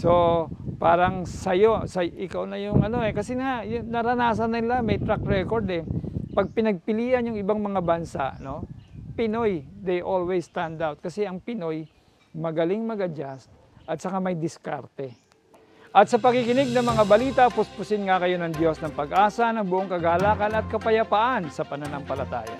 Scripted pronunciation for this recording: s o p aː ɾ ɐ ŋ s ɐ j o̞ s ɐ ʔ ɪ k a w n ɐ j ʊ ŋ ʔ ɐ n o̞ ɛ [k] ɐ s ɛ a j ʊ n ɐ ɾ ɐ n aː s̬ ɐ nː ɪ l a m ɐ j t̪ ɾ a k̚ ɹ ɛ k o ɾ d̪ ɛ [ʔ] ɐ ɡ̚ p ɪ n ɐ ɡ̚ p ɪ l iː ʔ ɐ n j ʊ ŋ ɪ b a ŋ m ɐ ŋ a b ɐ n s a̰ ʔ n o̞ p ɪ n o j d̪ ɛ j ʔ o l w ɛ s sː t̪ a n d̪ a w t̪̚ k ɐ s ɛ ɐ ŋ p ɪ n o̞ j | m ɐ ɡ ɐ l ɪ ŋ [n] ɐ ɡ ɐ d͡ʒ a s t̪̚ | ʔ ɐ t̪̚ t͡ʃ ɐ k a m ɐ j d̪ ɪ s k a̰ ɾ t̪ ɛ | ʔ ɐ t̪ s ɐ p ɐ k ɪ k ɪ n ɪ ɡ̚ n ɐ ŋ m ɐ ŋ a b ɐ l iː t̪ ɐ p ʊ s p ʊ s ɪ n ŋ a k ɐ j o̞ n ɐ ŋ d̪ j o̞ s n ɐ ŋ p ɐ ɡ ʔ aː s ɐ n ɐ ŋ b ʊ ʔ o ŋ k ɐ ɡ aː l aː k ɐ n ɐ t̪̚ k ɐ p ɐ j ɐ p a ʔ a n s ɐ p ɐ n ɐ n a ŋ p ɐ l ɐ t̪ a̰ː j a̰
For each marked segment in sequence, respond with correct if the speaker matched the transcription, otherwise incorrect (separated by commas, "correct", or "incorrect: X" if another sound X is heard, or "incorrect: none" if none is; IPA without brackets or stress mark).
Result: correct, incorrect: p, incorrect: m